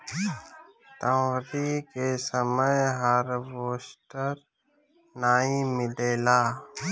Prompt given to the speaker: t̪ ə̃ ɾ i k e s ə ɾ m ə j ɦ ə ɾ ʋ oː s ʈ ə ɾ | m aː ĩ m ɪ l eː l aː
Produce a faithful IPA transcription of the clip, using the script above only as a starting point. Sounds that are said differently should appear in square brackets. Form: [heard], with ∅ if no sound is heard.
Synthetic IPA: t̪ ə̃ ɾ i k e s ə [∅] m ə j ɦ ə ɾ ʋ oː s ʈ ə ɾ | [n] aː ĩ m ɪ l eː l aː